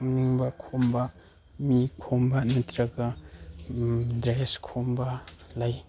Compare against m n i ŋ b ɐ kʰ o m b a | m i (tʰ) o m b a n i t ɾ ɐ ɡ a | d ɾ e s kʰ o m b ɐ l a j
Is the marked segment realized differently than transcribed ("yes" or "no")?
yes